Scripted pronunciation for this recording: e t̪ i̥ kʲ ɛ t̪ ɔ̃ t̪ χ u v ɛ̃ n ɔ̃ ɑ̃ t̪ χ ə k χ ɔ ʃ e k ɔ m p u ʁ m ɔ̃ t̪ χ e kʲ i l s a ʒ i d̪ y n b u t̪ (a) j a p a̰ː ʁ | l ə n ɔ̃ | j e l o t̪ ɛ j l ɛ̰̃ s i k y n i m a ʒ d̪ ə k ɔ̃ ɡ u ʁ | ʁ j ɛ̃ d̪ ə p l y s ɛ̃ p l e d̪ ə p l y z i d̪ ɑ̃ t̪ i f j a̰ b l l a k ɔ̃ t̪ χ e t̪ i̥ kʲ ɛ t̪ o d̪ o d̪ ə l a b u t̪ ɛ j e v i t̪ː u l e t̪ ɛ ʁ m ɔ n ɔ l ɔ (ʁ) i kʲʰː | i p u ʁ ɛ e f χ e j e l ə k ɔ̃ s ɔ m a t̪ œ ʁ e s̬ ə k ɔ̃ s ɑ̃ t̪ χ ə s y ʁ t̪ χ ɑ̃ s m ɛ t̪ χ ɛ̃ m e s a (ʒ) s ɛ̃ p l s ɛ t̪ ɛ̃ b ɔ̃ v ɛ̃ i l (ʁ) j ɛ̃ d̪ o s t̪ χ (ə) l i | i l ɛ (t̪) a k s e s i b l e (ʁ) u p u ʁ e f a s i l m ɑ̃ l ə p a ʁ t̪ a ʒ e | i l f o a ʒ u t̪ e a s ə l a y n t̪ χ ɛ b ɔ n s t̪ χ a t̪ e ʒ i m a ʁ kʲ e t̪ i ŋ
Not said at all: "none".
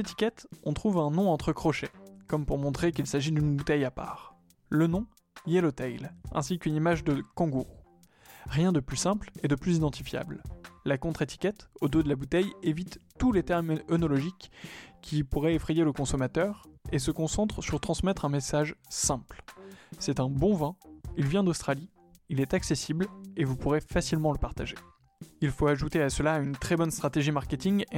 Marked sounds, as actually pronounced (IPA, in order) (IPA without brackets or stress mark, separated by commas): ɛ, ʒ, ʒ, v, a, t̪, v